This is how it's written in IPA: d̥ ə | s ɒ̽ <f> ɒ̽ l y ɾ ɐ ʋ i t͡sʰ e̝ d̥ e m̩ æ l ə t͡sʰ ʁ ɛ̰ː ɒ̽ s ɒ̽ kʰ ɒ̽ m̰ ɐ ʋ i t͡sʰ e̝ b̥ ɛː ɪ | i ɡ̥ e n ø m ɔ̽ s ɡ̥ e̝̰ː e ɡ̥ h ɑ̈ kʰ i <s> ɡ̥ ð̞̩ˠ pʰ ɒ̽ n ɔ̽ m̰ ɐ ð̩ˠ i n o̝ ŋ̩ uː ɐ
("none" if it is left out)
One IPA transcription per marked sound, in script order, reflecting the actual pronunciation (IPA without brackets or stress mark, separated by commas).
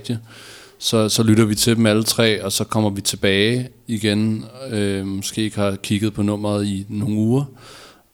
s, none